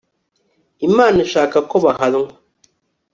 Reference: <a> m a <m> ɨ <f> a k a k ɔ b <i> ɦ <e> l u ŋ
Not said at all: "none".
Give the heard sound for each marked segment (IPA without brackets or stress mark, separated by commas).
i, n, ʃ, a, a